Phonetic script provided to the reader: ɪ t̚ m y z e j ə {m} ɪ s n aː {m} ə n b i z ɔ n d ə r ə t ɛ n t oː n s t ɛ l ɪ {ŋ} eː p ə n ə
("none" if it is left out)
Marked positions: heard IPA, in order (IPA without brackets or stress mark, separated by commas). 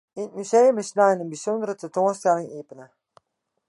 m, n, ŋ